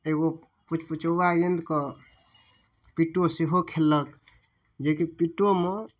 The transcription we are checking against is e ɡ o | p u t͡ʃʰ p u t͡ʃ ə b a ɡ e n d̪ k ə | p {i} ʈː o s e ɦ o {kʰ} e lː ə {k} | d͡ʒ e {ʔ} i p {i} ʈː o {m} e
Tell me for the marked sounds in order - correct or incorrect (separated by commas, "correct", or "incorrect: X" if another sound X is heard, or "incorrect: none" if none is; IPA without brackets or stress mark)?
correct, correct, correct, incorrect: k, correct, correct